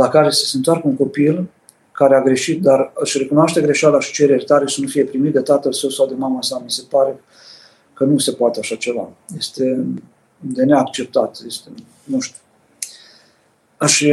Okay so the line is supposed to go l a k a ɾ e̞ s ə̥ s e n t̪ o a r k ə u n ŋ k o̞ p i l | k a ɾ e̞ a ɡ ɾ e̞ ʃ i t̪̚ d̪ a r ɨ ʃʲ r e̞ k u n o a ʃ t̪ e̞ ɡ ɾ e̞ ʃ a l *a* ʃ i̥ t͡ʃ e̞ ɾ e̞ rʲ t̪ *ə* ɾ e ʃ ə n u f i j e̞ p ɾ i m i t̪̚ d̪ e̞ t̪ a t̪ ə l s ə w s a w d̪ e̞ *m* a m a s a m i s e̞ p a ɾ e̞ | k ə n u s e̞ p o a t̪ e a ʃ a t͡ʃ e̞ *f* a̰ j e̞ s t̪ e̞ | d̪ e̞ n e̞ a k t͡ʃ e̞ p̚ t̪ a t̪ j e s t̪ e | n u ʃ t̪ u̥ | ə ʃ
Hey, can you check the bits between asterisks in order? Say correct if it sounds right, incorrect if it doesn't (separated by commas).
correct, incorrect, correct, incorrect